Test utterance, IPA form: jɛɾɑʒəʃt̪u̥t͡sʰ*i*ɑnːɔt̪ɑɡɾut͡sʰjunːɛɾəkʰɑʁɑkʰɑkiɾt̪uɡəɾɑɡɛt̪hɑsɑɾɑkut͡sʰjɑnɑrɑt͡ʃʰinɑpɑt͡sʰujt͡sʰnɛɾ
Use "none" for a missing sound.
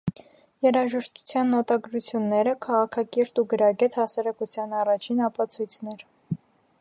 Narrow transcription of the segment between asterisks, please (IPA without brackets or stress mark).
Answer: j